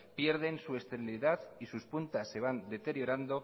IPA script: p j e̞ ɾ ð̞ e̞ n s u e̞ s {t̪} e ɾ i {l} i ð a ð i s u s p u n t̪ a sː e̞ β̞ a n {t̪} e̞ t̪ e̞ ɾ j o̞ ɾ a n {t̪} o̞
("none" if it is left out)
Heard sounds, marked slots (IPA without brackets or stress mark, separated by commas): t̪, l, d̪, d̪